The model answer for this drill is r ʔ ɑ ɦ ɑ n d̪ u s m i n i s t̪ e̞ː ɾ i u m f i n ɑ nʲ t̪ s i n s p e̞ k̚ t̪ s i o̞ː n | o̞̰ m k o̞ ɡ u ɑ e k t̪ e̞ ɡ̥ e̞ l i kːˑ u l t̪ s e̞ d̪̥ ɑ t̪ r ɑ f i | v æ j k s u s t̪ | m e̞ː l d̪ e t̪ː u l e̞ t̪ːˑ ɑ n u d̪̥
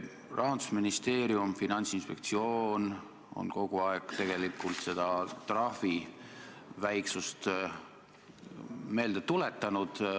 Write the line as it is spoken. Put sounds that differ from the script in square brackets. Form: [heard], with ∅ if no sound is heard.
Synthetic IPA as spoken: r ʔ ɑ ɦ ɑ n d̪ u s m i n i s t̪ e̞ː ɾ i u m f i n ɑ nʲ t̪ s i n s p e̞ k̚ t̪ s i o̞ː n | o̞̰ [n] k o̞ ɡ u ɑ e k t̪ e̞ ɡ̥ e̞ l i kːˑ u l t̪ s e̞ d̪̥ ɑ t̪ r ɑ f i | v æ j k s u s t̪ | m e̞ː l d̪ e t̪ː u l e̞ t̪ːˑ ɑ n u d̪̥